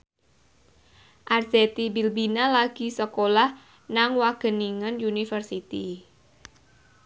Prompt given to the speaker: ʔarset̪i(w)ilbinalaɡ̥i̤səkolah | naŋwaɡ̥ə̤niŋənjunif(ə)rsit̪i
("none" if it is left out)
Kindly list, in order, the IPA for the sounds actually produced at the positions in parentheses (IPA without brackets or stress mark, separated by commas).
b, ə